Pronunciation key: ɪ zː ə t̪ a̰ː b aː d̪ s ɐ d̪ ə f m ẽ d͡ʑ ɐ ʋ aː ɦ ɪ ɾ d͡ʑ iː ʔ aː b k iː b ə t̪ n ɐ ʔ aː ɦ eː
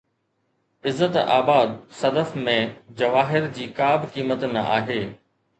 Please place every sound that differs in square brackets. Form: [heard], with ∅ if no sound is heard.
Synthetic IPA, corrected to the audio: ɪ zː ə t̪ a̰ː b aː d̪ s ɐ d̪ ə f m ẽ d͡ʑ ɐ ʋ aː ɦ ɪ ɾ d͡ʑ iː [k] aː b k iː [m] ə t̪ n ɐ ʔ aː ɦ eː